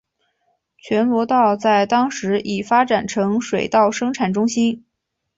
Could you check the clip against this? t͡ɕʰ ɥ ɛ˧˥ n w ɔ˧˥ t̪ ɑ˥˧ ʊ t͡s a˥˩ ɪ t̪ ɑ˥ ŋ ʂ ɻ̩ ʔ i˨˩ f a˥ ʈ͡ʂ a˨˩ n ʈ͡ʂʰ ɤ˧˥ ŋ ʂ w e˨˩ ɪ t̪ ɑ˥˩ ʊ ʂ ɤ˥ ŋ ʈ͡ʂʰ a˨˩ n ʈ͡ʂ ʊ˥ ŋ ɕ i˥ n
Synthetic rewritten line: t͡ɕʰ ɥ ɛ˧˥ n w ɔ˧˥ t̪ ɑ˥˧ ʊ t͡s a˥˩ ɪ t̪ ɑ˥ ŋ ʂ ɻ̩ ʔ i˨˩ f a˥ ʈ͡ʂ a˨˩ n ʈ͡ʂʰ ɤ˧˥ ŋ ʂ w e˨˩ ɪ t̪ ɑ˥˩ ʊ ʂ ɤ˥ ŋ ʈ͡ʂʰ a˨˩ n ʈ͡ʂ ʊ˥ ŋ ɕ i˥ n

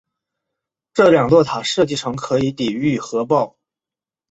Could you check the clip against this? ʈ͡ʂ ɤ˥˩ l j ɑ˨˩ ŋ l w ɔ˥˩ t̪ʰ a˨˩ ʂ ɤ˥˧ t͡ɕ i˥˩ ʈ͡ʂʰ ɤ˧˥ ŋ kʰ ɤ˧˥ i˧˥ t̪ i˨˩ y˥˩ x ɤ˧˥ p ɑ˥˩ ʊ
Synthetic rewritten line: ʈ͡ʂ ɤ˥˩ l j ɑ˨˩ ŋ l w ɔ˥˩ t̪ʰ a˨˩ ʂ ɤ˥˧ t͡ɕ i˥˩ ʈ͡ʂʰ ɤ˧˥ ŋ kʰ ɤ˧˥ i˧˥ t̪ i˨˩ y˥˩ x ɤ˧˥ p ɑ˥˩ ʊ

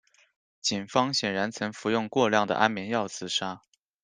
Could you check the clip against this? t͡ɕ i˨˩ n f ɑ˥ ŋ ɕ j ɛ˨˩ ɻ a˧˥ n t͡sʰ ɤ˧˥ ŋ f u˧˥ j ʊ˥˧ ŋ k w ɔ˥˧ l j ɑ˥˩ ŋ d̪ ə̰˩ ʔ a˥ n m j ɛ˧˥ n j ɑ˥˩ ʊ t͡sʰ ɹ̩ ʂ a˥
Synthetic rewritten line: t͡ɕ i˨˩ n f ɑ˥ ŋ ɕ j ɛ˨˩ ɻ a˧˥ n t͡sʰ ɤ˧˥ ŋ f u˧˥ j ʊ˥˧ ŋ k w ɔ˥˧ l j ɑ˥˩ ŋ d̪ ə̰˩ ʔ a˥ n m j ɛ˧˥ n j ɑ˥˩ ʊ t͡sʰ ɹ̩ ʂ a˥

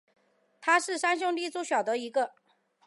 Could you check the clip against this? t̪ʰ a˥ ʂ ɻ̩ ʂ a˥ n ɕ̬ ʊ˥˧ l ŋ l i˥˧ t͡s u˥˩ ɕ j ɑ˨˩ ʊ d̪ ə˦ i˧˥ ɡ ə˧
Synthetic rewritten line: t̪ʰ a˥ ʂ ɻ̩ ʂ a˥ n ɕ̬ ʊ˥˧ ŋ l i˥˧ t͡s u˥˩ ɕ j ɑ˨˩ ʊ d̪ ə˦ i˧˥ ɡ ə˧

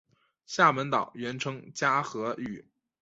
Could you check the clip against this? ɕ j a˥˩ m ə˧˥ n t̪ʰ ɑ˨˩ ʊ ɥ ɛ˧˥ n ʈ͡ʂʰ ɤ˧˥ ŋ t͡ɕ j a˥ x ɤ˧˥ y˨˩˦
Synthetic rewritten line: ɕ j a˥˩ m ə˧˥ n t̪ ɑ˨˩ ʊ ɥ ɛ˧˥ n ʈ͡ʂʰ ɤ˥ ŋ t͡ɕ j a˥ x ɤ˧˥ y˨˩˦

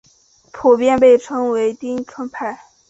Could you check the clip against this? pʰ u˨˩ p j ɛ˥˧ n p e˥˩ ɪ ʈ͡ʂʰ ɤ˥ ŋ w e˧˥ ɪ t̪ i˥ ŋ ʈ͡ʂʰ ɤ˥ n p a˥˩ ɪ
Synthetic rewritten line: pʰ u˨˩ p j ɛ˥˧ n p e˥˩ ɪ ʈ͡ʂʰ ɤ˥ ŋ w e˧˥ ɪ t̪ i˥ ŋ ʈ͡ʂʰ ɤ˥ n pʰ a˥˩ ɪ

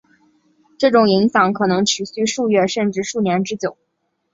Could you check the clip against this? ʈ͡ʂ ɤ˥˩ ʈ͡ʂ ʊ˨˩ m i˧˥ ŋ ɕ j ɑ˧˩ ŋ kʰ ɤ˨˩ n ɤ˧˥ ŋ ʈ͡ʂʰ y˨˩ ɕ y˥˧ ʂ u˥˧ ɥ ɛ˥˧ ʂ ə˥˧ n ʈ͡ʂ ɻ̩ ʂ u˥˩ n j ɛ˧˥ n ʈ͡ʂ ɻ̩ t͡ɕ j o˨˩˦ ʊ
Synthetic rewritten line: ʈ͡ʂ ɤ˥˩ ʈ͡ʂ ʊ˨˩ ŋ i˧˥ ŋ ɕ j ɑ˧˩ ŋ kʰ ɤ˨˩ n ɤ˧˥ ŋ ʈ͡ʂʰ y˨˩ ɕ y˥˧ ʂ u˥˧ ɥ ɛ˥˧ ʂ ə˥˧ n ʈ͡ʂ ɻ̩ ʂ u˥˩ n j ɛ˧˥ n ʈ͡ʂ ɻ̩ t͡ɕ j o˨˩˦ ʊ

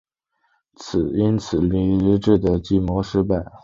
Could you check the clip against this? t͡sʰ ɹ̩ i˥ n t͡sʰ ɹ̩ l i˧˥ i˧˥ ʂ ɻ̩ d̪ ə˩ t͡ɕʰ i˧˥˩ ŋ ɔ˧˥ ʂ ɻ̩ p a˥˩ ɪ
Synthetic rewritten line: t͡sʰ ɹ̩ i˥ n t͡sʰ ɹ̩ l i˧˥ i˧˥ ʈ͡ʂ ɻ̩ d̪ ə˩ t͡ɕ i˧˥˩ m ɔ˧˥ ʂ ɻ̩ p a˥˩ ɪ

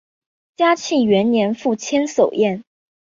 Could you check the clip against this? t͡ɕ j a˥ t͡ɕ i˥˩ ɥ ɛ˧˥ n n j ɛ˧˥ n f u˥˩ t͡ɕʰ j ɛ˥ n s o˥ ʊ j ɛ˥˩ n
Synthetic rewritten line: t͡ɕ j a˥ t͡ɕʰ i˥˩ ɥ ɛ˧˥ n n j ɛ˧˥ n f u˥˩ t͡ɕʰ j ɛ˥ n s o˨˩ ʊ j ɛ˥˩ n

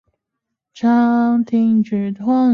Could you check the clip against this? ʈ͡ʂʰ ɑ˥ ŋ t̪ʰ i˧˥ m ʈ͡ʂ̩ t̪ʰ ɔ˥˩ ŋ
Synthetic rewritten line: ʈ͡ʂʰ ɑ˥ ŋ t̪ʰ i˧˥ ŋ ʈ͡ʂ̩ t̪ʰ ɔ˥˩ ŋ

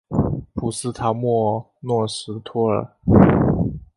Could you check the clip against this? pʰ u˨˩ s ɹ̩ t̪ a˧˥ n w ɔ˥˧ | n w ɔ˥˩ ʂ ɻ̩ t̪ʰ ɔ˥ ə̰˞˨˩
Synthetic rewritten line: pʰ u˨˩ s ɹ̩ t̪ʰ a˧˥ m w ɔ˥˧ | n w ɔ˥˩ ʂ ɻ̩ t̪ʰ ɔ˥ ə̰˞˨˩

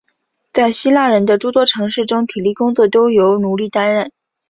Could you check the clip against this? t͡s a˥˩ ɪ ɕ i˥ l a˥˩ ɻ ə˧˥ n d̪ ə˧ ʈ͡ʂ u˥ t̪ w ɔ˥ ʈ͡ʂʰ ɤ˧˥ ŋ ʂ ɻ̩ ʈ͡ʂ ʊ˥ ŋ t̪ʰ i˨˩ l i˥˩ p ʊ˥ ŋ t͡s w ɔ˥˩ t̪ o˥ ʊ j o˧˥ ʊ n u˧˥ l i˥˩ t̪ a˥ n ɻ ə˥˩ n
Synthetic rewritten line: t͡s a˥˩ ɪ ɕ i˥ l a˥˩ ɻ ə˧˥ n d̪ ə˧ ʈ͡ʂ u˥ t̪ w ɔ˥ ʈ͡ʂʰ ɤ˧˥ ŋ ʂ ɻ̩ ʈ͡ʂ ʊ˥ ŋ t̪ʰ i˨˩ l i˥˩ k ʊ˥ ŋ t͡s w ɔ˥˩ t̪ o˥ ʊ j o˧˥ ʊ n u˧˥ l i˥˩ t̪ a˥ n ɻ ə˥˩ n

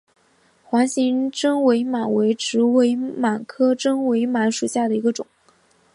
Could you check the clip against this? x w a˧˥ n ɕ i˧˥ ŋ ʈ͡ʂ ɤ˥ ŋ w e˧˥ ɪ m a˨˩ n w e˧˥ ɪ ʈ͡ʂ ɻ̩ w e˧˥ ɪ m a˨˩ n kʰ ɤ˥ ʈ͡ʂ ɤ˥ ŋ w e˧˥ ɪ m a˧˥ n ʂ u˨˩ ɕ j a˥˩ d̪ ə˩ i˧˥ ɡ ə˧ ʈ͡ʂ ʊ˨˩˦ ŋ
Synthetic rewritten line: x w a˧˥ n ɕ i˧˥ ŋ ʈ͡ʂ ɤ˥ ŋ w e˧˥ ɪ m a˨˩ n w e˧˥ ɪ ʈ͡ʂ ɻ̩ w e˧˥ ɪ m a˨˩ n kʰ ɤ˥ ʈ͡ʂ ɤ˥ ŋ w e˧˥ ɪ m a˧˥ n ʂ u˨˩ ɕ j a˥˩ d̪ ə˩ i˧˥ ɡ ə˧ ʈ͡ʂ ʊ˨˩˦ ŋ

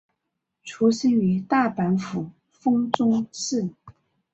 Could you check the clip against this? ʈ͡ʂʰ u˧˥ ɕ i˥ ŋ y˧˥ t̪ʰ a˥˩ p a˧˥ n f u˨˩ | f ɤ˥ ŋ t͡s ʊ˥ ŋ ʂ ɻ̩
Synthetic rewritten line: ʈ͡ʂʰ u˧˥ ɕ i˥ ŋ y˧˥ t̪ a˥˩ p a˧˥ n f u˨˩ | f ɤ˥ ŋ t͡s ʊ˥ ŋ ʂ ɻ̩

